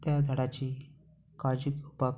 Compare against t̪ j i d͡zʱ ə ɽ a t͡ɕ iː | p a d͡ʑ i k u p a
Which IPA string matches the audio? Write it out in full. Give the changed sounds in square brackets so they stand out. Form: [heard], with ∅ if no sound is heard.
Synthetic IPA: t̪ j [a] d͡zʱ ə ɽ a t͡ɕ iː | [k] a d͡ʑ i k u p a